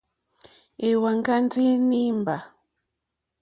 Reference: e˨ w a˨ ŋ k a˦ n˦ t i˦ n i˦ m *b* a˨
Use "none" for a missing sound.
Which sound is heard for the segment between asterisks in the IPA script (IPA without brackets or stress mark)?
b